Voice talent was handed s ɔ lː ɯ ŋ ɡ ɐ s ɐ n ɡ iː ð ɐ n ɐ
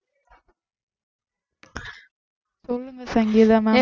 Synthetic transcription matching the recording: s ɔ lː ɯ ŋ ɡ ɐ s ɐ ŋ ɡ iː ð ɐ m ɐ

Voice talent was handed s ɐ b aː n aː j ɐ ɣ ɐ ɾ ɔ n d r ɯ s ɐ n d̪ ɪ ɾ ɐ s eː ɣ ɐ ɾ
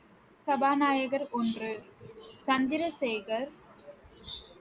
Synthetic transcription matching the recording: s ɐ b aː n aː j ɐ ɣ ɐ ɾ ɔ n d r ɯ s ɐ n d̪ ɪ ɾ ɐ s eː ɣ ɐ ɾ

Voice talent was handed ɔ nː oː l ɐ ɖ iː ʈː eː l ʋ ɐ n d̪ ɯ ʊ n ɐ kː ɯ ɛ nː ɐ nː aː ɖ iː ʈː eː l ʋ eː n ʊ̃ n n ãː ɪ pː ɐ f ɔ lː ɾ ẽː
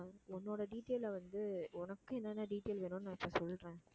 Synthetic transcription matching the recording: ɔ nː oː ɽ ɐ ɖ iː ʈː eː l ʋ ɐ n d̪ ɯ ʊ n ɐ kː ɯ ɛ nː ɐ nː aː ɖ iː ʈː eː l ʋ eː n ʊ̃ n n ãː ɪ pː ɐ s ɔ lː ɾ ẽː

